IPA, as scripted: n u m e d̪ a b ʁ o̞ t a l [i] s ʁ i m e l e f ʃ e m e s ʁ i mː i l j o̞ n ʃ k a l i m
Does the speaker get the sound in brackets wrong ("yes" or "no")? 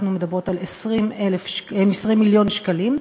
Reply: yes